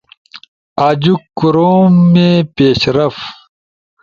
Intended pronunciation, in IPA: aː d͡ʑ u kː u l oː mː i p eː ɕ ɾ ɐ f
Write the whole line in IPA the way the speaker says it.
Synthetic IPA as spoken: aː d͡ʑ u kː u ɾ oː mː e p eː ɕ ɾ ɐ f